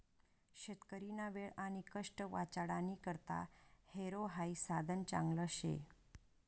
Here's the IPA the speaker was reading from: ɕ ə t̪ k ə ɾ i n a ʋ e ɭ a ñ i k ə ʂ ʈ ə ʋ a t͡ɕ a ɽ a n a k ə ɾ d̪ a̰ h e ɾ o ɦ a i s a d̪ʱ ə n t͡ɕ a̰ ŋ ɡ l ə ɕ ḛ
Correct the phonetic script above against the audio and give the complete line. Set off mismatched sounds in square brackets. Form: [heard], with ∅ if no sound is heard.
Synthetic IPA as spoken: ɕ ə t̪ k ə ɾ i n a ʋ e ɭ a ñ i k ə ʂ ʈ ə ʋ a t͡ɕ a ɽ a n [i] k ə ɾ [t̪] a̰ h e ɾ o ɦ a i s a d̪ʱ ə n t͡ɕ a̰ ŋ ɡ l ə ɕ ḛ